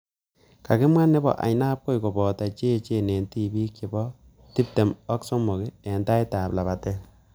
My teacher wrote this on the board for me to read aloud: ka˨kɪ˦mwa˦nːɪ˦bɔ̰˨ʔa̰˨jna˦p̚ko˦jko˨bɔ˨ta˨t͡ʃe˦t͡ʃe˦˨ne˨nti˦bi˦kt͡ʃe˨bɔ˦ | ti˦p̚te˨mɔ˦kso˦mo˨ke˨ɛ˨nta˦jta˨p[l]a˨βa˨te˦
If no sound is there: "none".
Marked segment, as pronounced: l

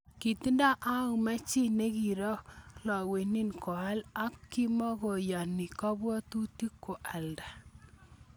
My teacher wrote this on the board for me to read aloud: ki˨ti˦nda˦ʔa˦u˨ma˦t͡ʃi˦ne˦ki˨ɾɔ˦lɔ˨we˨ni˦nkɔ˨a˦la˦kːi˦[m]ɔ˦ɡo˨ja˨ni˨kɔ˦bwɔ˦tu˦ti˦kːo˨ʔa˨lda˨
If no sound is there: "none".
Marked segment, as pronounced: m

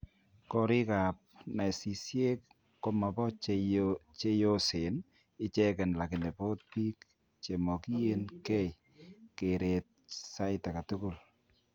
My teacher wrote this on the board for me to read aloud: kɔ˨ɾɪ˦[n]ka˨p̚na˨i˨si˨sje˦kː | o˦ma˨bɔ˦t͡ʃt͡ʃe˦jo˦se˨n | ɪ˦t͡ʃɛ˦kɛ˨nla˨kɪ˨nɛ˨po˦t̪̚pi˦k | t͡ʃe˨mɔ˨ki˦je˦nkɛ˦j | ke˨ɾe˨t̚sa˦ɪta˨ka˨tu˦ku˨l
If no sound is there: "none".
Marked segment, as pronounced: none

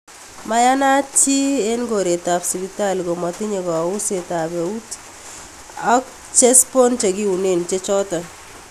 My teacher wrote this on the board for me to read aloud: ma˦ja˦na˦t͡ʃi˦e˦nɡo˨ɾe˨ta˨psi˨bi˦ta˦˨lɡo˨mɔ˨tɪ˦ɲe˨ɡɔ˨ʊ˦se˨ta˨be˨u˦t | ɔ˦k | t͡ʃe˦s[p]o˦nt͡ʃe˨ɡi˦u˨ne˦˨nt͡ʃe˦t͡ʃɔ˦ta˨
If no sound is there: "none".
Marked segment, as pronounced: p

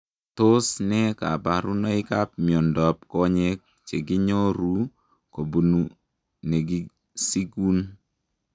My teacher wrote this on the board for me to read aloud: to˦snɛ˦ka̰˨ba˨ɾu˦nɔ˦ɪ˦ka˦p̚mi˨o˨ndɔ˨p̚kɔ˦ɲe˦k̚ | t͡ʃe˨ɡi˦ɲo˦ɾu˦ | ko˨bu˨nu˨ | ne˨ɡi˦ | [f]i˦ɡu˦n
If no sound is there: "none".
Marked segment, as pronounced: s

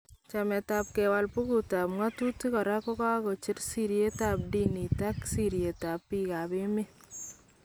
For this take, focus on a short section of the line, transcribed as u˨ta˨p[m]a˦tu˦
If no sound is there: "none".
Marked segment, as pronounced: ŋ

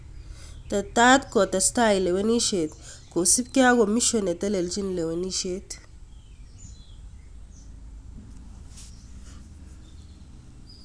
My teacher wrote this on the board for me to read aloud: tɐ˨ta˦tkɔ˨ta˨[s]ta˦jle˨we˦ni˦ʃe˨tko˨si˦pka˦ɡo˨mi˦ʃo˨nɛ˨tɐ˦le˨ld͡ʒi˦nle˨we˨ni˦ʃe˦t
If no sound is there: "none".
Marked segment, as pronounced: s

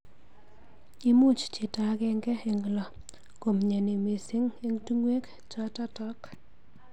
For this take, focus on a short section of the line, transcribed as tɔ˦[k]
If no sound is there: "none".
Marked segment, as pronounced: k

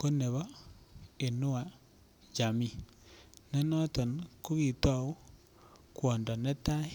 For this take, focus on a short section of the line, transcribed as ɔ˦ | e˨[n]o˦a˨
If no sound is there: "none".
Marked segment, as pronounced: n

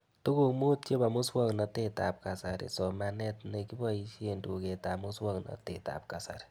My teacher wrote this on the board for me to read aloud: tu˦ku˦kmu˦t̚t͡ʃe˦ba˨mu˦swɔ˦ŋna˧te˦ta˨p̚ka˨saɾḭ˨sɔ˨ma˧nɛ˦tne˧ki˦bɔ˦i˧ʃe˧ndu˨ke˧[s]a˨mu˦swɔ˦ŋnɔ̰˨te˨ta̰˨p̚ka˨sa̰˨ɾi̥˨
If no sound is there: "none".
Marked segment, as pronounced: t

